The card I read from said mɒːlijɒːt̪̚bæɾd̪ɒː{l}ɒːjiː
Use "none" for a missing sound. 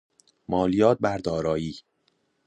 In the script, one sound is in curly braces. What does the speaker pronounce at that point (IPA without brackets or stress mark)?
ɾ